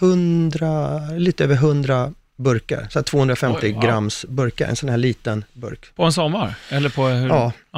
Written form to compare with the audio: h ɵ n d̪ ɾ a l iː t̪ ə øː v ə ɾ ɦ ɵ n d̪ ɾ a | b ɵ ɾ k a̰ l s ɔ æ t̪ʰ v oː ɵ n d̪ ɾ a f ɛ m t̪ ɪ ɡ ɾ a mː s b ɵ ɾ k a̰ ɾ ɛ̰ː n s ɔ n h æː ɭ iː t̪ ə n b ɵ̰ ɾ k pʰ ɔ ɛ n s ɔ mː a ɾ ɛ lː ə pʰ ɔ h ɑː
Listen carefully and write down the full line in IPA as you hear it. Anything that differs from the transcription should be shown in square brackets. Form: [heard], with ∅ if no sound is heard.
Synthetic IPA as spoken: h ɵ n d̪ ɾ a l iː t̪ ə øː v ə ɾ ɦ ɵ n d̪ ɾ a | b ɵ ɾ k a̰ [ɾ] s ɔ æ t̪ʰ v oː ɵ n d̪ ɾ a f ɛ m t̪ ɪ ɡ ɾ a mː s b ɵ ɾ k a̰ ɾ [ɛ̰] n s ɔ n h æː ɭ iː t̪ ə n b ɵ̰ ɾ k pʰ ɔ ɛ n s ɔ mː a ɾ ɛ lː ə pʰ ɔ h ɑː